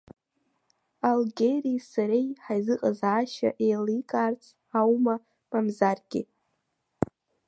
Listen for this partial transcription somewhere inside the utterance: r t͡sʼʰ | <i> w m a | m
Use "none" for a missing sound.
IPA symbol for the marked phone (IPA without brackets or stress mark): a